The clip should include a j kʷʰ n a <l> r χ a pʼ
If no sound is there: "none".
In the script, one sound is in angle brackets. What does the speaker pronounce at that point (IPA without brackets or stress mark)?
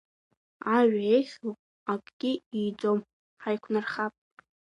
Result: none